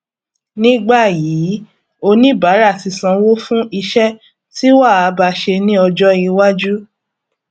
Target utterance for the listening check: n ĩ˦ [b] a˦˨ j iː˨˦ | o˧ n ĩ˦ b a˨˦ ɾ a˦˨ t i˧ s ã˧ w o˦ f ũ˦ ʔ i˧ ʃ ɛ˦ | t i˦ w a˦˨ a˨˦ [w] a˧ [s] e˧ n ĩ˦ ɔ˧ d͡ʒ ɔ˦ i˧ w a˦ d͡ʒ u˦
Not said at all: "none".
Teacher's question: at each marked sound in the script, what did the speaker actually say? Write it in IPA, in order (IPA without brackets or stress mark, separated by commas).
ɡ͡b, b, ʃ